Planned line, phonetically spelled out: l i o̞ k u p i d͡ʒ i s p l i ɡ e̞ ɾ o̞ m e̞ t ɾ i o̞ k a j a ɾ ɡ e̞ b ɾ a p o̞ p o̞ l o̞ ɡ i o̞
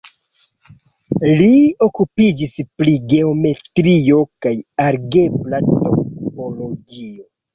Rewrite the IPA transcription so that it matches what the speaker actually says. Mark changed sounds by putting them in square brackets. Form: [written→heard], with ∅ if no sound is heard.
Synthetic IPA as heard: l i o̞ k u p i d͡ʒ i s p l i ɡ e̞ [ɾ→∅] o̞ m e̞ t ɾ i o̞ k a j a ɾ ɡ e̞ b [ɾ→l] a [p→t] o̞ p o̞ l o̞ ɡ i o̞